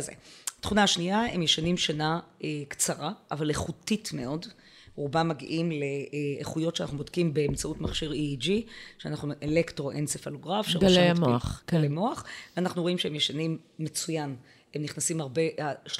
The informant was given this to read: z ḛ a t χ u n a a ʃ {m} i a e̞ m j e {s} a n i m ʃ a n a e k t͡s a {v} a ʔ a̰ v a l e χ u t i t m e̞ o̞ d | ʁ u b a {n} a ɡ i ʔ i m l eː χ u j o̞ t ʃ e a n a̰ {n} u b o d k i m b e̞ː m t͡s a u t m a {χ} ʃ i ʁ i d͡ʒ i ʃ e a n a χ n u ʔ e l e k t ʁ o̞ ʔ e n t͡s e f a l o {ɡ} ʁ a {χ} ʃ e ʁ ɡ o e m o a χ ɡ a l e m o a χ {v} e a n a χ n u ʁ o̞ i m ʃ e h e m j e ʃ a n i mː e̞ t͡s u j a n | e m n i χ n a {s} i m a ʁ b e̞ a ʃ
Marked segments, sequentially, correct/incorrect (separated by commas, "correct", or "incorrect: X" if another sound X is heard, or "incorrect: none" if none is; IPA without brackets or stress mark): incorrect: n, incorrect: ʃ, incorrect: ʁ, incorrect: m, correct, correct, correct, incorrect: f, correct, correct